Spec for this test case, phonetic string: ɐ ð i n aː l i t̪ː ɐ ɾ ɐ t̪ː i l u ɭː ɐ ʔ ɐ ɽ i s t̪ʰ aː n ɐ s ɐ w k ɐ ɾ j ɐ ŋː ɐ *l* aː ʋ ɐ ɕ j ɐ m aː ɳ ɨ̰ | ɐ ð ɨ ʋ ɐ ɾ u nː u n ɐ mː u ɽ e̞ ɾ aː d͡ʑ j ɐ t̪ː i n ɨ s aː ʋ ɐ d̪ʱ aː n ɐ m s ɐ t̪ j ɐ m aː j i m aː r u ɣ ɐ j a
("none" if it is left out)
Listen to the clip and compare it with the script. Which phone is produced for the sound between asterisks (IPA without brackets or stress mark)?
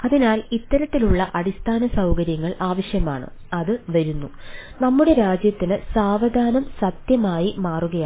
ɭ